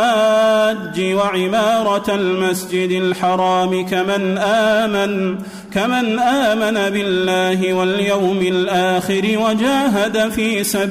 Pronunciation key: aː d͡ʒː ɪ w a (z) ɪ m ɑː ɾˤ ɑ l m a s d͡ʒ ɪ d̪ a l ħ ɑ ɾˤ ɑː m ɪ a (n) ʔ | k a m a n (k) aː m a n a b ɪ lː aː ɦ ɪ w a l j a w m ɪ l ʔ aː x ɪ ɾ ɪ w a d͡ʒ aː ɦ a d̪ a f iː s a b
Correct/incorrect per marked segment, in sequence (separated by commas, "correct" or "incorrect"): incorrect, correct, incorrect